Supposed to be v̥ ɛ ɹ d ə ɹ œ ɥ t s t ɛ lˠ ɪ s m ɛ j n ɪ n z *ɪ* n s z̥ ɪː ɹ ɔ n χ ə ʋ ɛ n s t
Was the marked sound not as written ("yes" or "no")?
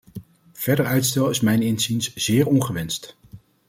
yes